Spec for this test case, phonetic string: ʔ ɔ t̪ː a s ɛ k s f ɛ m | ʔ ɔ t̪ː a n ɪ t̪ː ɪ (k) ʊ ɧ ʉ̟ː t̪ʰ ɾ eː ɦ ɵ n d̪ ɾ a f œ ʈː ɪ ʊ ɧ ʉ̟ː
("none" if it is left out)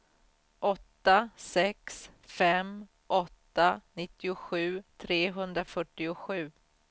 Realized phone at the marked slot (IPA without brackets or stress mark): none